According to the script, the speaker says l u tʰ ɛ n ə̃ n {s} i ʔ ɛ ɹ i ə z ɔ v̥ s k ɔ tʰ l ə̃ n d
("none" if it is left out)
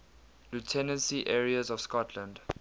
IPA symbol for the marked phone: s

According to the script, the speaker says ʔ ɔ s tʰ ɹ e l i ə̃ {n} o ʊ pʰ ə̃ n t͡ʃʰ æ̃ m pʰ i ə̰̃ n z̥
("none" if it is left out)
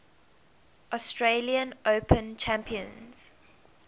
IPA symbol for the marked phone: n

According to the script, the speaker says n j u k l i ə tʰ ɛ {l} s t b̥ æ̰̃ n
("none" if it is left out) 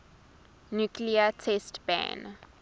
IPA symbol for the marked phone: none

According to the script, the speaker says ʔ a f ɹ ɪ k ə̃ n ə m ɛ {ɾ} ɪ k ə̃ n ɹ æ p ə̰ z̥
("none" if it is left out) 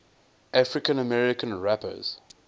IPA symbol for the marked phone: ɹ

